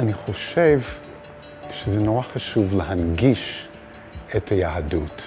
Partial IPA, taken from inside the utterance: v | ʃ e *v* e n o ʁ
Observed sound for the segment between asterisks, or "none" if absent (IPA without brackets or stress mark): z